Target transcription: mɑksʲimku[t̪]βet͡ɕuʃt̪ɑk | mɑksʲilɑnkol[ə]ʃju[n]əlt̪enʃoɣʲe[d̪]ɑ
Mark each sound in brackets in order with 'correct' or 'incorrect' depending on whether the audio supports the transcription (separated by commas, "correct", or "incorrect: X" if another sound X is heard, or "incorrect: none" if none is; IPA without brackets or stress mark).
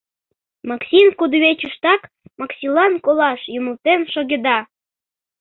incorrect: d̪, incorrect: ɑ, incorrect: m, correct